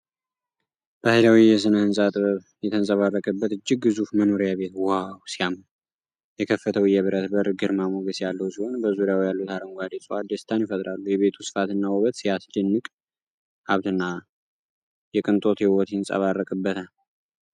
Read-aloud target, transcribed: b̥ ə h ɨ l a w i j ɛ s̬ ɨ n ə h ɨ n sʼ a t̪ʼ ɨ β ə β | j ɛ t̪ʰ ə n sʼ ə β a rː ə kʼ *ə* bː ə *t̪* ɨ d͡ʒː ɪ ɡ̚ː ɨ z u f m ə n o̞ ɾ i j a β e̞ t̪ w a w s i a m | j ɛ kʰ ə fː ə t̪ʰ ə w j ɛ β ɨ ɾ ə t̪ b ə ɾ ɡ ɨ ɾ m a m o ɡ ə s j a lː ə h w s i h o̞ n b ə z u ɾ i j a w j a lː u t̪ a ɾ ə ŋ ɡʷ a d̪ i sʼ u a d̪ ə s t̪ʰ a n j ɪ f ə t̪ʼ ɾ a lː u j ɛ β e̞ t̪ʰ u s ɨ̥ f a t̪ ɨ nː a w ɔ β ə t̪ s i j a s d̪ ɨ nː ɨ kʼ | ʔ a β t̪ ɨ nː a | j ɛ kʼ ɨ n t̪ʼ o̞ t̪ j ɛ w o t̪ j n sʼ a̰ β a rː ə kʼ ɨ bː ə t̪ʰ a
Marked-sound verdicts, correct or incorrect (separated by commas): correct, correct